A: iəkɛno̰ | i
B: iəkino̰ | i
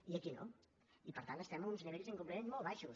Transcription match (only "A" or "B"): B